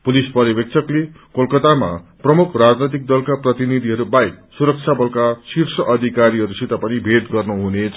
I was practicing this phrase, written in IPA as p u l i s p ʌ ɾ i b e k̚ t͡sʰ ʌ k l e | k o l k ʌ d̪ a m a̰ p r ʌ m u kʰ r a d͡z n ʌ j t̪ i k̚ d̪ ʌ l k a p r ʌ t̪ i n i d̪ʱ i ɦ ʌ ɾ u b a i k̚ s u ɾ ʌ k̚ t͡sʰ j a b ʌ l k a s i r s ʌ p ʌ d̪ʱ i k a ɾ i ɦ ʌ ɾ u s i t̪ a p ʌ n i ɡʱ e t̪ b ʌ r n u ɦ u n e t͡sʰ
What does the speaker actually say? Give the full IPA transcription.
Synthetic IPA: p u l i s p ʌ ɾ i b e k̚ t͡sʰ ʌ k l e | k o l k ʌ t̪ a m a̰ p r ʌ m u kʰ r a d͡z n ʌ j t̪ i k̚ d̪ ʌ l k a p r ʌ t̪ i n i d̪ʱ i ɦ ʌ ɾ u b a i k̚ s u ɾ ʌ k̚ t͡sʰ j a b ʌ l k a s i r s ʌ ʔ ʌ d̪ʱ i k a ɾ i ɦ ʌ ɾ u s i t̪ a p ʌ n i bʱ e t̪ ɡ ʌ r n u ɦ u n e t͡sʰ